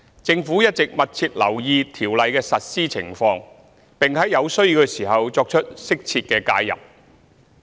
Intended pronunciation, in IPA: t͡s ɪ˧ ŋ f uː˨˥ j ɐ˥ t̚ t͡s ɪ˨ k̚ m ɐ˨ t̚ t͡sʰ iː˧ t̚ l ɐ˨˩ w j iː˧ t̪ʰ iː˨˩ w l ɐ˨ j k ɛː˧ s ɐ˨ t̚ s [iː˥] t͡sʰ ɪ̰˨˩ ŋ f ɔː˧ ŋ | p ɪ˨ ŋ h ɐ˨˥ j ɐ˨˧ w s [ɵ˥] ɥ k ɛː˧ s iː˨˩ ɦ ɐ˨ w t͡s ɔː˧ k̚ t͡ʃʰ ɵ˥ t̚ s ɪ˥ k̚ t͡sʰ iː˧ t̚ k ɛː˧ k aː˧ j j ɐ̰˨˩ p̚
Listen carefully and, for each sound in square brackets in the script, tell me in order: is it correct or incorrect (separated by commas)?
correct, correct